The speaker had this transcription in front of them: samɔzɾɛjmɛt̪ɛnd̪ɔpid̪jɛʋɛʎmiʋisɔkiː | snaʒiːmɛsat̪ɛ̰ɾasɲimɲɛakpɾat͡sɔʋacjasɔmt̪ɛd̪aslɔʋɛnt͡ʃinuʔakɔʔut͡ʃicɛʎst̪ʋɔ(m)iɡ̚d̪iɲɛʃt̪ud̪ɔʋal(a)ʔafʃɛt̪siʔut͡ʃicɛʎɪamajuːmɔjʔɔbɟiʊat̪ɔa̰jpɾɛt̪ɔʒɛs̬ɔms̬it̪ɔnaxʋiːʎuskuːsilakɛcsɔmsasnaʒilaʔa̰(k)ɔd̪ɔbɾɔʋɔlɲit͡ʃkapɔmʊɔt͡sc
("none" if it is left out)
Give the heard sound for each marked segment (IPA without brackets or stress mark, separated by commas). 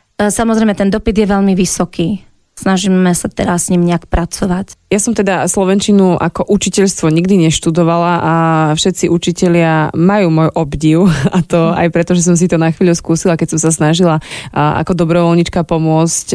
ɲ, a, k